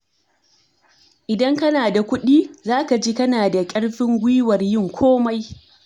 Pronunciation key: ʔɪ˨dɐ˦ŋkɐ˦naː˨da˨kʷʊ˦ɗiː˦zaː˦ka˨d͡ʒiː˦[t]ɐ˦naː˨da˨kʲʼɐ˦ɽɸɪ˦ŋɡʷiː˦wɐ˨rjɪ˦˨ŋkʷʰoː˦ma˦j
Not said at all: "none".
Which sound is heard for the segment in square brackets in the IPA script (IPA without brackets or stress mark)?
k